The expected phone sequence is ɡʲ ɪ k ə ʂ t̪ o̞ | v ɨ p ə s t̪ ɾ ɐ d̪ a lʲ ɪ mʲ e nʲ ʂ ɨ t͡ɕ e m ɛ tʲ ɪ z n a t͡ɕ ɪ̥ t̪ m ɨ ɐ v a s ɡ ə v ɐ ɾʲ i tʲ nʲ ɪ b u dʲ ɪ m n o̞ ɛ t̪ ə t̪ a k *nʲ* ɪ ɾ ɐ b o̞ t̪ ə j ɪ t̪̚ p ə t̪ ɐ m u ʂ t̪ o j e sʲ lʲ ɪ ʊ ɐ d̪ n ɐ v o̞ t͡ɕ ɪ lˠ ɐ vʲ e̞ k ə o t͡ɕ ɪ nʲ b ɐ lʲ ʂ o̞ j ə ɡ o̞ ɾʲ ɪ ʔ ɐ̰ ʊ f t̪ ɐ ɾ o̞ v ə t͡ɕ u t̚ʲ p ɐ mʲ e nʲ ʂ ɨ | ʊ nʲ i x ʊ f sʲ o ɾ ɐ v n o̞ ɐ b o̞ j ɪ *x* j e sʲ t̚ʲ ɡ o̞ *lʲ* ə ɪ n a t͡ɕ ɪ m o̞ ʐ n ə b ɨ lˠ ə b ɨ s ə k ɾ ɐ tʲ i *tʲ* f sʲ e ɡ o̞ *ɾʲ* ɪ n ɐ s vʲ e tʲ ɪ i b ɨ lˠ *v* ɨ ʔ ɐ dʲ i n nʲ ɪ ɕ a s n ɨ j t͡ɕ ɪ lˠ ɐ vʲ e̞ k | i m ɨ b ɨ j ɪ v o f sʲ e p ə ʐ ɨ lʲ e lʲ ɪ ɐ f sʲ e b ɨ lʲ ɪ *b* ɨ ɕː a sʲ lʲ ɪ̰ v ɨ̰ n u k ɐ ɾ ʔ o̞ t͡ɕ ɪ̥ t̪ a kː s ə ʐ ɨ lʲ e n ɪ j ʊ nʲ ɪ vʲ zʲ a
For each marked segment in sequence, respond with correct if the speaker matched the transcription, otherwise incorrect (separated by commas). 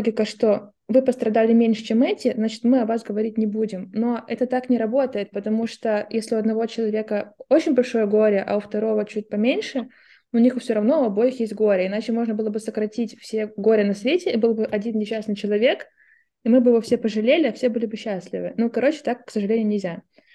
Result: correct, correct, incorrect, correct, correct, incorrect, correct